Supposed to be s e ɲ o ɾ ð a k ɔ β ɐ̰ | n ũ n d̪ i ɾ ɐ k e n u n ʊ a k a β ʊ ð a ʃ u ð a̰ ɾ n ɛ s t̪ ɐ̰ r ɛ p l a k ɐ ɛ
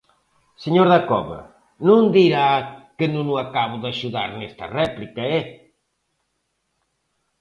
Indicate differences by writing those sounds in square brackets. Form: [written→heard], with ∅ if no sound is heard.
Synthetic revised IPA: s e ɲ o ɾ ð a k ɔ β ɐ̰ | n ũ n d̪ i ɾ [ɐ→a] k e n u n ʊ a k a β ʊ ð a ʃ u ð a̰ ɾ n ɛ s t̪ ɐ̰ r ɛ p l [a→i] k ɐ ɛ